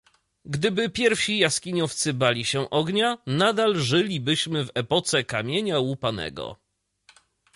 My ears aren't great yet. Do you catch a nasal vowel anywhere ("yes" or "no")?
no